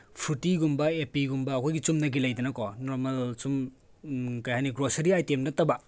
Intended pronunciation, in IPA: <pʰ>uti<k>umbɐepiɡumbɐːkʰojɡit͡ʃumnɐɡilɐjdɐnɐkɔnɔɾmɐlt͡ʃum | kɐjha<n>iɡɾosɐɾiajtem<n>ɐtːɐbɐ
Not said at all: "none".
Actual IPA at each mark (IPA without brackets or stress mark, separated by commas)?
pʰ, ɡ, n, n